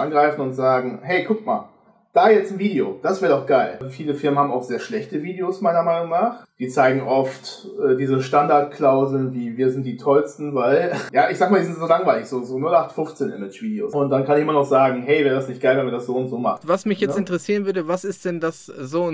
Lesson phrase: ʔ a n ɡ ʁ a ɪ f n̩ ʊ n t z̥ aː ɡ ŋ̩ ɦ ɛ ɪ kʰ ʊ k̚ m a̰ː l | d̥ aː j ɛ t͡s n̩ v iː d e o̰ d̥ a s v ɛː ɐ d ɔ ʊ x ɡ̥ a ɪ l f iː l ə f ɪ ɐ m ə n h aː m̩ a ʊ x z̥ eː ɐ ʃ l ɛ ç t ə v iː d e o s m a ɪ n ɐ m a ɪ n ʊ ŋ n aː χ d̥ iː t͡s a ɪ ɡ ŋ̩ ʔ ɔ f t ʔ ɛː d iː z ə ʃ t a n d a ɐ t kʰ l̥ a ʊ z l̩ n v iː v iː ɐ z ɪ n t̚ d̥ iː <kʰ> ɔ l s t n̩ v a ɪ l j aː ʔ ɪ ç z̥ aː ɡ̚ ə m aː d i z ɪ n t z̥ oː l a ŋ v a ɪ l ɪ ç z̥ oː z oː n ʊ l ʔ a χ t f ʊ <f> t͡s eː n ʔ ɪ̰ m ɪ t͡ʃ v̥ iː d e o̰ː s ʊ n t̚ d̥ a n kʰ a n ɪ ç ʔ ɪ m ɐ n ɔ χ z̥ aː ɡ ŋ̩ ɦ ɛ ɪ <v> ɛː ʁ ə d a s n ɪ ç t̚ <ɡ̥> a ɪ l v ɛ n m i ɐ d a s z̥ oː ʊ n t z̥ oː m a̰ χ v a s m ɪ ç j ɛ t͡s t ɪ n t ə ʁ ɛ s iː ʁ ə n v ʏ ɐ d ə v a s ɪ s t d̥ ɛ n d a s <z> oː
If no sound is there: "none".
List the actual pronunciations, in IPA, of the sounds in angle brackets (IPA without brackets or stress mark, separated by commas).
tʰ, f, v, ɡ̥, z